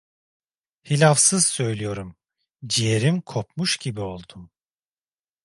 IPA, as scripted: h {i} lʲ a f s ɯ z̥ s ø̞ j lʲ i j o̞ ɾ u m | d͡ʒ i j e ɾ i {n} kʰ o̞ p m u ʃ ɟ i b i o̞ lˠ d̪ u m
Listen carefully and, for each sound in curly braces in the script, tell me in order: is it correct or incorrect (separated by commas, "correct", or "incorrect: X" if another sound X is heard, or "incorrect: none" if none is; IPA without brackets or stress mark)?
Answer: correct, incorrect: m